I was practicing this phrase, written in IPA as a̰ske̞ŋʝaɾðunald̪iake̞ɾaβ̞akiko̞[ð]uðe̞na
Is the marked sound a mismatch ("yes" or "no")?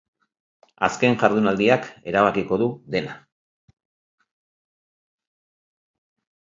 no